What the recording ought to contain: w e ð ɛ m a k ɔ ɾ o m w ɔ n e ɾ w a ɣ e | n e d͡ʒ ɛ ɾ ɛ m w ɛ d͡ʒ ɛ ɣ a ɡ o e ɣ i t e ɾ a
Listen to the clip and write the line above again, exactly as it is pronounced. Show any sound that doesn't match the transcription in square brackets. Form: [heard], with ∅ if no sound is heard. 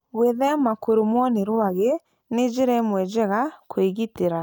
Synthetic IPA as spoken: w e ð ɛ m a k [o] ɾ o m w ɔ n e ɾ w a ɣ e | n e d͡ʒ [e] ɾ ɛ m w ɛ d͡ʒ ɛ ɣ a [k] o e ɣ i t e ɾ a